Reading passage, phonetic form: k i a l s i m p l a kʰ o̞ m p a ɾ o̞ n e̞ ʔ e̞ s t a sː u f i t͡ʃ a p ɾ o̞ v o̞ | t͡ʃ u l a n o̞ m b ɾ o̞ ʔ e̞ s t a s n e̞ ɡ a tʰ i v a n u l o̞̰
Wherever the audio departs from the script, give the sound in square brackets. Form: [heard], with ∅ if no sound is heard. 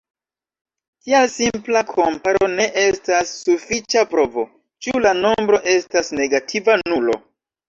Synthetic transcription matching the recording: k i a l s i m p l a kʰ o̞ m p a ɾ o̞ n e̞ ʔ e̞ s t a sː u f i t͡ʃ a p ɾ o̞ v o̞ | t͡ʃ u l a n o̞ m b ɾ o̞ ʔ e̞ s t a s n e̞ ɡ a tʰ i v a n u l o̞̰